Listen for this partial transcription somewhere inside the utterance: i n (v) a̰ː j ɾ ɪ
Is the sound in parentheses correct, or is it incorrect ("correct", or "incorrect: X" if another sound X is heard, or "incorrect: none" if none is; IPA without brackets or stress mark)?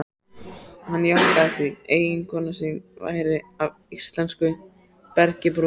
correct